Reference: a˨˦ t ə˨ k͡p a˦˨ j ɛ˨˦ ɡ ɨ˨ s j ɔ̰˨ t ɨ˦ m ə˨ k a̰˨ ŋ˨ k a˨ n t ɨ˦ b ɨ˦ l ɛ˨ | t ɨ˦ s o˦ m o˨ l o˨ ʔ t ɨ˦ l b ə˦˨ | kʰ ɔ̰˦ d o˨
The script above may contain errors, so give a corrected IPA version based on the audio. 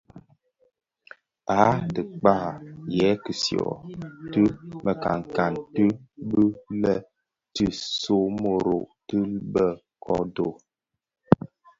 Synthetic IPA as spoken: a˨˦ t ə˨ k͡p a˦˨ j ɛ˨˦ k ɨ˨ s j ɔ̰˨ t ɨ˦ m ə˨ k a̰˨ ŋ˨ k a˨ n t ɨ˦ b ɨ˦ l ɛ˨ | t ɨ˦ s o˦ m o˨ ɾ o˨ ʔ t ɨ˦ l b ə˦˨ | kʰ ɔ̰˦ d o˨